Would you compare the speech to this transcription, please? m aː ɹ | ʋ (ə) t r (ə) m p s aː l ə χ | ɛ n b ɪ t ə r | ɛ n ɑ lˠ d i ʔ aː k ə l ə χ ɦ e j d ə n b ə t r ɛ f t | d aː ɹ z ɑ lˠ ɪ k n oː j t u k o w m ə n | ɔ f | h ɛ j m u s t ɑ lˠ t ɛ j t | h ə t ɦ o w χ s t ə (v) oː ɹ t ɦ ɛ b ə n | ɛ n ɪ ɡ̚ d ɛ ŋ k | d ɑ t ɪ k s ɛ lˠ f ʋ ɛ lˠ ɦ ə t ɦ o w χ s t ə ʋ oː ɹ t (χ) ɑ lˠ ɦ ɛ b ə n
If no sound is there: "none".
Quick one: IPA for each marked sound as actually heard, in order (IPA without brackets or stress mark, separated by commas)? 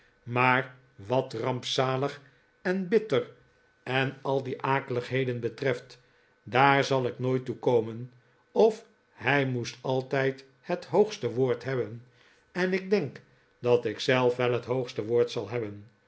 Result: ɑ, ɑ, ʋ, s